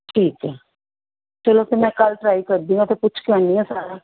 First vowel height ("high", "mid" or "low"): high